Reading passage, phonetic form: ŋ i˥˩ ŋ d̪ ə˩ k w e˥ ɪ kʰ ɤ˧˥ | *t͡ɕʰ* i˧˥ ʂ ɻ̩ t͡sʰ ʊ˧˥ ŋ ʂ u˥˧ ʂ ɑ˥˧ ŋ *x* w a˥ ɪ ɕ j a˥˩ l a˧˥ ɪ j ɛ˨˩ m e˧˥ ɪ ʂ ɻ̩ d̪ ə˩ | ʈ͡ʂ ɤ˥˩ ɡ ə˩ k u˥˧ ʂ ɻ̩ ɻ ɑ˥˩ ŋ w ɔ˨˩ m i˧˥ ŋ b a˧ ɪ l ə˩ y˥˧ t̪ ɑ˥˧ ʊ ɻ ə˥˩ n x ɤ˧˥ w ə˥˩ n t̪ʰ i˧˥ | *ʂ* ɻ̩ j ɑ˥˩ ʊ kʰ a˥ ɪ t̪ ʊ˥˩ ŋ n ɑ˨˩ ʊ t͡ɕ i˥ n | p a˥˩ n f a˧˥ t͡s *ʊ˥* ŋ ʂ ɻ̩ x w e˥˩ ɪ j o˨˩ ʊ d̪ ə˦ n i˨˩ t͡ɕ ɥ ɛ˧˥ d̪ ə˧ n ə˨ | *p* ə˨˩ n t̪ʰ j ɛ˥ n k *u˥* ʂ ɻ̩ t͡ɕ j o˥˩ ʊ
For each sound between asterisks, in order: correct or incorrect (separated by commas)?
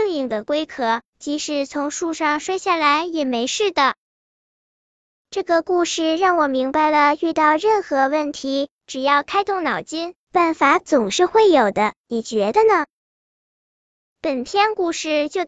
incorrect, incorrect, incorrect, incorrect, correct, incorrect